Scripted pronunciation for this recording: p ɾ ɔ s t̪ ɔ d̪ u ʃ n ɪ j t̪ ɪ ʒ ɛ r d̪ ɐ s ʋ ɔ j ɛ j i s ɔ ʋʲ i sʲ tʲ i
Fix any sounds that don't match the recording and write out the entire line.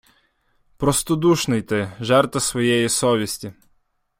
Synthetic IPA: p ɾ ɔ s t̪ ɔ d̪ u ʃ n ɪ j t̪ ɪ ʒ ɛ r t̪ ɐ s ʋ ɔ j ɛ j i s ɔ ʋʲ i sʲ tʲ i